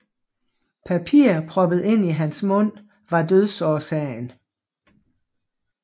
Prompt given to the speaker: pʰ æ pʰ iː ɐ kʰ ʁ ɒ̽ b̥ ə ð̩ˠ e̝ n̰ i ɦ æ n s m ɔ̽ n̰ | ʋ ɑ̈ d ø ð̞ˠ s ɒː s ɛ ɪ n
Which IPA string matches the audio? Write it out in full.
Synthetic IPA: pʰ æ pʰ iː ɐ pʰ ʁ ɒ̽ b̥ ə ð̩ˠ e̝ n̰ i ɦ æ n s m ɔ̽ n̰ | ʋ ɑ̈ d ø ð̞ˠ s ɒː s ɛ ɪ n

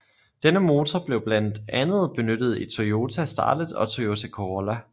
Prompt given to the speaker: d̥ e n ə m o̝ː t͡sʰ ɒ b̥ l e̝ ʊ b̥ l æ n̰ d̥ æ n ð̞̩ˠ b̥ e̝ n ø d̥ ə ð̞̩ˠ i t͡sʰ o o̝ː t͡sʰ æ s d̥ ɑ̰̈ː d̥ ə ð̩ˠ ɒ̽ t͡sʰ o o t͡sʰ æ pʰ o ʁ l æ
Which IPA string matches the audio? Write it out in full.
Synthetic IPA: d̥ e n ə m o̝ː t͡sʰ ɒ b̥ l e̝ ʊ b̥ l æ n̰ d̥ æ n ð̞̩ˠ b̥ e̝ n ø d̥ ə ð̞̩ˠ i t͡sʰ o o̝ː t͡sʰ æ s d̥ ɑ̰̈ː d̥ ə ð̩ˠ ɒ̽ t͡sʰ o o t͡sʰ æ kʰ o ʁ l æ

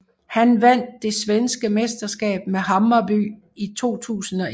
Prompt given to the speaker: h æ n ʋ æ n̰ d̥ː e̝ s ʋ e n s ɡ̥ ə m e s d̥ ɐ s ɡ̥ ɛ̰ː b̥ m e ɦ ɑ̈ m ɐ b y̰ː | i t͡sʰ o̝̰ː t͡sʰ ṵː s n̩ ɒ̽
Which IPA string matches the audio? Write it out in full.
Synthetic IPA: h æ n ʋ æ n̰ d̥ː e̝ s ʋ e n s ɡ̥ ə m e s d̥ ɐ s ɡ̥ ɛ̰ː b̥ m e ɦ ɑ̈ m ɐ b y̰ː | i t͡sʰ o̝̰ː t͡sʰ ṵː s n̩ ɒ̽

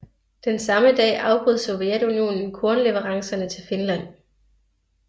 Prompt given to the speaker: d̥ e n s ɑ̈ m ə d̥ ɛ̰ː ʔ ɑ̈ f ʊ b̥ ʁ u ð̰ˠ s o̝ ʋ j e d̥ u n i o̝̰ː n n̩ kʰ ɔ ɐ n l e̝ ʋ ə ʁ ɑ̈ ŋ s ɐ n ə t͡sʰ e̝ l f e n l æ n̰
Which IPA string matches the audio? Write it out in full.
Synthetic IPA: d̥ e n s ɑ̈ m ə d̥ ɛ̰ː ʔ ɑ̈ ʊ b̥ ʁ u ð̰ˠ s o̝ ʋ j e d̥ u n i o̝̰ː n n̩ kʰ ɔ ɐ n l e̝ ʋ ə ʁ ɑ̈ ŋ s ɐ n ə t͡sʰ e̝ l f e n l æ n̰

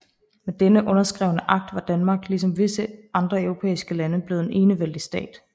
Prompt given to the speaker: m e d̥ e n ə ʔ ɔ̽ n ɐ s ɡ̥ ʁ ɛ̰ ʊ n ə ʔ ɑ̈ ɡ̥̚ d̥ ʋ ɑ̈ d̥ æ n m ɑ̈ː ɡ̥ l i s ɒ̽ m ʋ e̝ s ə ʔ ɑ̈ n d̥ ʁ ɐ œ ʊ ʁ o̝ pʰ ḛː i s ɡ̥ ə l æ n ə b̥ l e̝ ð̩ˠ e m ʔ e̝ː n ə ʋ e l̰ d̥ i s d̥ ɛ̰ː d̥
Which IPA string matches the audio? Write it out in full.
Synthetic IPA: m e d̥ e n ə ʔ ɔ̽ n ɐ s ɡ̥ ʁ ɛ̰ ʊ n ə ʔ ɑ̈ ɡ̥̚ d̥ ʋ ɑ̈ d̥ æ n m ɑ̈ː ɡ̥ l i s ɒ̽ m ʋ e̝ s ə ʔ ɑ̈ n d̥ ʁ ɐ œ ʊ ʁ o̝ pʰ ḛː i s ɡ̥ ə l æ n ə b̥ l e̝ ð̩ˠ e n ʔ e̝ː n ə ʋ e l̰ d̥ i s d̥ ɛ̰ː d̥

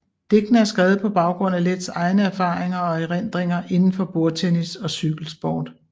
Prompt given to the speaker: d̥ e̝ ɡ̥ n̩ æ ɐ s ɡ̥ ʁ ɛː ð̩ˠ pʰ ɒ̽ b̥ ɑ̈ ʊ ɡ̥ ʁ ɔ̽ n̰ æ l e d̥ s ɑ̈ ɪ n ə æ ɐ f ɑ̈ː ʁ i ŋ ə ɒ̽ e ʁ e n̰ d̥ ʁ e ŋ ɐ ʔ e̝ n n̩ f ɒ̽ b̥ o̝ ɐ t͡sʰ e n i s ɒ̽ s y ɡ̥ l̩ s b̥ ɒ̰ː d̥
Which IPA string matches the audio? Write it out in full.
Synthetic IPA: d̥ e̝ ɡ̥ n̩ æ ɐ s ɡ̥ ʁ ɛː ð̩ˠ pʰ ɒ̽ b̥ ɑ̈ ʊ ɡ̥ ʁ ɔ̽ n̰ æ l e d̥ s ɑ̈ ɪ n ə æ ɐ f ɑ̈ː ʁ e ŋ ɐ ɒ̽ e ʁ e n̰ d̥ ʁ e ŋ ɐ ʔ e̝ n n̩ f ɒ̽ b̥ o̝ ɐ t͡sʰ e n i s ɒ̽ s y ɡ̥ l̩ s b̥ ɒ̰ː d̥

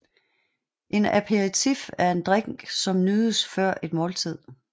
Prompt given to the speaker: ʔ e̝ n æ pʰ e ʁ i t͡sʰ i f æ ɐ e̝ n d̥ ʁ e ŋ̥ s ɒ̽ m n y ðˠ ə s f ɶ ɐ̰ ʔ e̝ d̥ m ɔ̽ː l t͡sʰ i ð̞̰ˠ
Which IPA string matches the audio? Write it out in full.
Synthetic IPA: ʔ e̝ n æ pʰ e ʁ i t͡sʰ i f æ ɐ e̝ n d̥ ʁ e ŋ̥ s ɒ̽ m n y ðˠ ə s f ɶ ɐ̰ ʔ e̝ d̥ m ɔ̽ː l t͡sʰ i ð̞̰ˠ

